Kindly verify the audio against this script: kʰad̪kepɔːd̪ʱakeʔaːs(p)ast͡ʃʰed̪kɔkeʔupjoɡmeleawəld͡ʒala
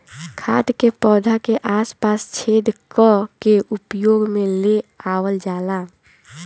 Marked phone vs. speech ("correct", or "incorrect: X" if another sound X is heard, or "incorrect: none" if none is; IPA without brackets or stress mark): correct